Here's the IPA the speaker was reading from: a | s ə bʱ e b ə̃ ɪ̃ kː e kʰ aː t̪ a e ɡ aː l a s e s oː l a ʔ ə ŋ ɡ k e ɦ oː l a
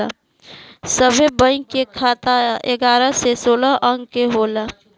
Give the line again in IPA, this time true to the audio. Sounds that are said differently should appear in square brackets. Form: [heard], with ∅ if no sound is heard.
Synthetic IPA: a | s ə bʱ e b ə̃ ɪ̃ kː e kʰ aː t̪ a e ɡ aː [ɾ] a s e s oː l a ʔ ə ŋ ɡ k e ɦ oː l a